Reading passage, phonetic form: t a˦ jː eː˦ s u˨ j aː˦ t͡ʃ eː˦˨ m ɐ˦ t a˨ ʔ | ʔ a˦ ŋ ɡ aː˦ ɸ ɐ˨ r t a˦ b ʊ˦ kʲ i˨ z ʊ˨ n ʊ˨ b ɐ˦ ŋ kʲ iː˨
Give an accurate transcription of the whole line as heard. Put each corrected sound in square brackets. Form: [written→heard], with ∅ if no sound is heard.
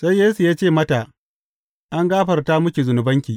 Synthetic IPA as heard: [t→s] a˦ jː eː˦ s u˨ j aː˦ t͡ʃ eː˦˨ m ɐ˦ t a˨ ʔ | ʔ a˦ ŋ ɡ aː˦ ɸ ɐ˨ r t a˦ [b→m] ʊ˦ kʲ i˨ z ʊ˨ n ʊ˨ b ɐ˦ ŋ kʲ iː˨